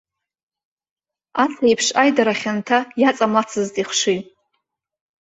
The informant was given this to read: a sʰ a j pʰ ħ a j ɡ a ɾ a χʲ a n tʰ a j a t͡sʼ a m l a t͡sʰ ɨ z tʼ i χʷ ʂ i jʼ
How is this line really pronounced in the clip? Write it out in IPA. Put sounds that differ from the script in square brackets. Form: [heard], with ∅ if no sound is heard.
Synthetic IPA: a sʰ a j pʰ [ʂ] a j [d] a ɾ a χʲ a n tʰ a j a t͡sʼ a m l a t͡sʰ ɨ z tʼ i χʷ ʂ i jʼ